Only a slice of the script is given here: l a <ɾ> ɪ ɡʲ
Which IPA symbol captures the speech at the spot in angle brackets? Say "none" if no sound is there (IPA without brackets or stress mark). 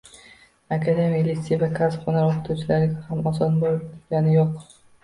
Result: ɾ